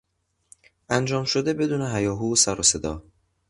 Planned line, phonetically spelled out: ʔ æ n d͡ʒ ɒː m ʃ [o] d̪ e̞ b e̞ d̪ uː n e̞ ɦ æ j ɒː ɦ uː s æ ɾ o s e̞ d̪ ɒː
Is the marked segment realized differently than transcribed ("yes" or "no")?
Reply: no